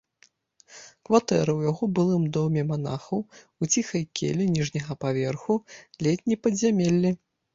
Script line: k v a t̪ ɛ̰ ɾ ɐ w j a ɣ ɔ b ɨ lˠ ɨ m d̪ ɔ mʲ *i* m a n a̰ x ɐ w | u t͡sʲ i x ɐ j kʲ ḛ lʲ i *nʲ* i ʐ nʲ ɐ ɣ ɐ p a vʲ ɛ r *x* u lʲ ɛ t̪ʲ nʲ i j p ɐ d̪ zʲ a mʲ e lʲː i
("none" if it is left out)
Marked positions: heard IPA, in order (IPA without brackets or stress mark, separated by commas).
ɛ, nʲ, x